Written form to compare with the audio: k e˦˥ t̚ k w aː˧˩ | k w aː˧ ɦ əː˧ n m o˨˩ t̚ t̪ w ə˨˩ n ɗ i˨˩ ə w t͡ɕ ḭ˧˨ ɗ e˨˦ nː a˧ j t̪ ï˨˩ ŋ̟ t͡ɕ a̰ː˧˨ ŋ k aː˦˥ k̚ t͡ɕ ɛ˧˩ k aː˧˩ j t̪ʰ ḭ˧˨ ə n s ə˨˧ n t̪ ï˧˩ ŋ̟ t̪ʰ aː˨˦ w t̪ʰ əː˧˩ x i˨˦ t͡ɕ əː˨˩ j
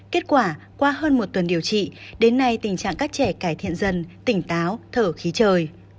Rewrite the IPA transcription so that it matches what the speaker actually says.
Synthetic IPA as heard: k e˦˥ t̚ k w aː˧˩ | k w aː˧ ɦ əː˧ n m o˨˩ t̚ t̪ w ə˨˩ n ɗ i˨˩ ə w t͡ɕ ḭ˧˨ ɗ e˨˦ nː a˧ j t̪ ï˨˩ ŋ̟ t͡ɕ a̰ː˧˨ ŋ k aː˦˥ k̚ t͡ɕ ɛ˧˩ k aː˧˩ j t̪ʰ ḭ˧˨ ə n z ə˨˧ n t̪ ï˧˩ ŋ̟ t̪ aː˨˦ w t̪ʰ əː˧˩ x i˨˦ t͡ɕ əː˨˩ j